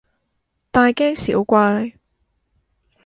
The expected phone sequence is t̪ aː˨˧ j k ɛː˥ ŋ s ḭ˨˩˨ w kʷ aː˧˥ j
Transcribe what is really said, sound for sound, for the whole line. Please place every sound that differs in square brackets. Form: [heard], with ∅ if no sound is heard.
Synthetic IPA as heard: t̪ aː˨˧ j k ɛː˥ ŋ s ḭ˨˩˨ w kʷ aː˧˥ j